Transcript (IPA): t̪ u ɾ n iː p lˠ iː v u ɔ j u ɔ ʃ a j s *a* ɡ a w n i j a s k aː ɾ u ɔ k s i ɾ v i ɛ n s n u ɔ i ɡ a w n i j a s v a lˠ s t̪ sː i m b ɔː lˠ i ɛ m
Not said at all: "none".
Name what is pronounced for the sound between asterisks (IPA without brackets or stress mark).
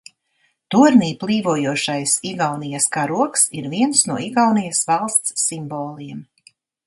i